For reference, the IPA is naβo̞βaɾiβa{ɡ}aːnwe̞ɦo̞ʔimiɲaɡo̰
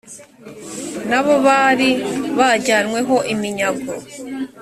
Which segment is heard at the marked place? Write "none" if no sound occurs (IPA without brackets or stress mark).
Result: ɟ